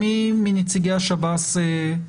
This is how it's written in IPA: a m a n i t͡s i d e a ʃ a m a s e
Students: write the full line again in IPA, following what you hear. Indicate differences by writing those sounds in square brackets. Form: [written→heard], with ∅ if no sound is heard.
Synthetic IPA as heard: [a→i] m [a→i] n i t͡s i [d→ɡ] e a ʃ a [m→b] a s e